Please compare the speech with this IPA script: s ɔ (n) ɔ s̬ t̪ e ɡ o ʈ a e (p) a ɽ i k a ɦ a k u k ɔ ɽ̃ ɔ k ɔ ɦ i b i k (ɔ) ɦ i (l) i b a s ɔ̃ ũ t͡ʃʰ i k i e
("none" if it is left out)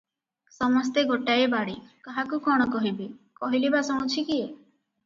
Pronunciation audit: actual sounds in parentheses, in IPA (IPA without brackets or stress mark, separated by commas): m, b, ɔ, l